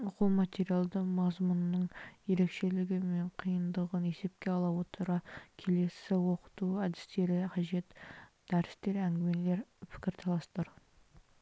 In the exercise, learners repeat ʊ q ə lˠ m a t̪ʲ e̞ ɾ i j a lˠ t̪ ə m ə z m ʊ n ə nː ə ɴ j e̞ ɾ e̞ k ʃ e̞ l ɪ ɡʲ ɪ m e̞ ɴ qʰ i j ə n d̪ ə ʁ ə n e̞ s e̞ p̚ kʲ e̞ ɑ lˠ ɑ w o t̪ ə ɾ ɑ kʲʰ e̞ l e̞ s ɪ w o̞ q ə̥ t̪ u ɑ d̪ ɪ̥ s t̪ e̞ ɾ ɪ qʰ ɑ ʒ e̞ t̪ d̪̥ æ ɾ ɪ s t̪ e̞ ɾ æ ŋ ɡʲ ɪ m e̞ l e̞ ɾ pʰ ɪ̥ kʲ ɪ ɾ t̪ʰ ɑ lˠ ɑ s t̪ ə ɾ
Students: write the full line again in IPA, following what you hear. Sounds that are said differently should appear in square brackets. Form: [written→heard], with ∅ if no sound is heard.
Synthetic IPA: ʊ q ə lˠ m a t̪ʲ e̞ ɾ i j a lˠ [t̪→d̪] ə m [ə→ɑ] z m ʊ n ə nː ə ɴ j e̞ ɾ e̞ k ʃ e̞ l ɪ ɡʲ ɪ m e̞ ɴ qʰ i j ə n d̪ ə ʁ ə n e̞ s e̞ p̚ kʲ e̞ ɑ lˠ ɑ w o t̪ ə ɾ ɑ kʲʰ e̞ l e̞ s ɪ w o̞ q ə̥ t̪ u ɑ d̪ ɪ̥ s t̪ e̞ ɾ ɪ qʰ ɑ ʒ e̞ t̪ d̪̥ æ ɾ ɪ s t̪ e̞ ɾ æ ŋ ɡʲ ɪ m e̞ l e̞ ɾ pʰ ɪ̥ kʲ ɪ ɾ t̪ʰ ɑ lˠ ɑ s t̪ ə ɾ